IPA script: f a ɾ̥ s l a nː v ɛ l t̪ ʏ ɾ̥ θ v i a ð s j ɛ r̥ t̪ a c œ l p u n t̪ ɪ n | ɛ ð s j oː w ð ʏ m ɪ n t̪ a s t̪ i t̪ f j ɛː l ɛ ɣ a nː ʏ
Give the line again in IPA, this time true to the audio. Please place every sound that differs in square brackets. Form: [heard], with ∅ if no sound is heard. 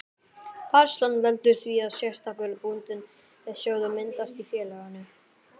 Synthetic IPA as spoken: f a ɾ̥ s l a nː v ɛ l t̪ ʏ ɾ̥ θ v i a ð s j ɛ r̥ t̪ a [k] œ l p u n t̪ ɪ n | ɛ ð s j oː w ð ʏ m ɪ n t̪ a s t̪ i [∅] f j ɛː l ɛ ɣ a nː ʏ